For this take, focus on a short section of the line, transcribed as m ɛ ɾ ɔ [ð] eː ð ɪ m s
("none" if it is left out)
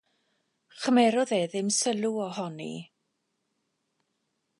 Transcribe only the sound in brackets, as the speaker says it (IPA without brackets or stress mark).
ð